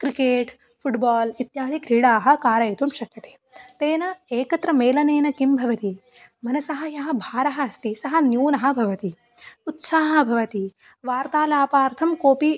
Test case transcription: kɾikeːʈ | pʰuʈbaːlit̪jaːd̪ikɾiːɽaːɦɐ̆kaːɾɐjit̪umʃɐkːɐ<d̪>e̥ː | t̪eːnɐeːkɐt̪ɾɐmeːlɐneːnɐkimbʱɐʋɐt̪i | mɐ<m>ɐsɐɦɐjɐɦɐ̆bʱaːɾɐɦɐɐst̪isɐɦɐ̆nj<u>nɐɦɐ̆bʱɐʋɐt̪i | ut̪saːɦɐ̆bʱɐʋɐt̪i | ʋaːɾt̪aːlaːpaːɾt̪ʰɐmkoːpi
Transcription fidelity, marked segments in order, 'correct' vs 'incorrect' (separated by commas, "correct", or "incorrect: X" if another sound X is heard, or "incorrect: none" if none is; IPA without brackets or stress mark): incorrect: t̪, incorrect: n, incorrect: uː